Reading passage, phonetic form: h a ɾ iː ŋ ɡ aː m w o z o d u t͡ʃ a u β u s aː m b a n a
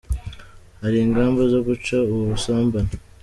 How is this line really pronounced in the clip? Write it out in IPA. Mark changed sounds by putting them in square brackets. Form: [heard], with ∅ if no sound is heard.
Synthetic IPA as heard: h a ɾ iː ŋ ɡ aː m [b] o z o [ɡ] u t͡ʃ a u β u s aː m b a n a